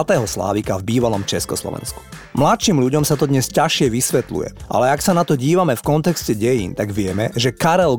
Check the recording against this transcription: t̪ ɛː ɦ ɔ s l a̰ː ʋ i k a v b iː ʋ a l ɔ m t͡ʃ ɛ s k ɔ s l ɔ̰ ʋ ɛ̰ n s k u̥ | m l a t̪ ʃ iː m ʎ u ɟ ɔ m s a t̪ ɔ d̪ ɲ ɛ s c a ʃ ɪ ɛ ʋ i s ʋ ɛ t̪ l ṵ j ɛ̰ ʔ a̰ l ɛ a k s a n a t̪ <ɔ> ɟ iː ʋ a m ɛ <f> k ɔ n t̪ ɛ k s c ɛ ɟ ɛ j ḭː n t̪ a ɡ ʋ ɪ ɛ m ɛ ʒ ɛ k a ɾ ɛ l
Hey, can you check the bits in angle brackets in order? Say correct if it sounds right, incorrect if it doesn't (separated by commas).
correct, correct